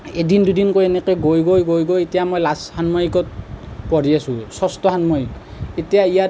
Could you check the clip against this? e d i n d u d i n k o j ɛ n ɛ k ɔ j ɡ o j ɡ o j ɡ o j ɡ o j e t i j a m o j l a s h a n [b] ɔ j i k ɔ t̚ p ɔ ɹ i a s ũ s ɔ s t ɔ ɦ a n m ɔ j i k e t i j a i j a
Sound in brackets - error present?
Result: yes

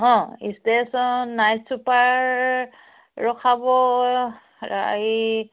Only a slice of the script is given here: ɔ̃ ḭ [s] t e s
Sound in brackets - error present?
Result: no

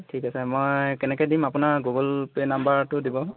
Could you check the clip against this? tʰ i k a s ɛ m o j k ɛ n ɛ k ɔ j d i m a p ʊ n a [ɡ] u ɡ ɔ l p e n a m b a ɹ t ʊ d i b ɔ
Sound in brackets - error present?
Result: no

